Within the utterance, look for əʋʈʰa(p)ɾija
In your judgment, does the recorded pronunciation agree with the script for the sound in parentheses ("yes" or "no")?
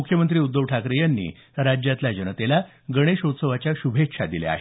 no